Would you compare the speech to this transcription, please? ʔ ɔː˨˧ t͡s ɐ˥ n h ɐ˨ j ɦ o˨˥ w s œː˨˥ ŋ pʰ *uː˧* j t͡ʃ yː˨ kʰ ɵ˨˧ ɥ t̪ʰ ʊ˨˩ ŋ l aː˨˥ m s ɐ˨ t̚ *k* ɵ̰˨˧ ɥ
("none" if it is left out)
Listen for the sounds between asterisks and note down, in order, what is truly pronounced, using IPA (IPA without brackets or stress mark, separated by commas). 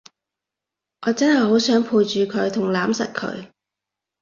uː˧, kʰ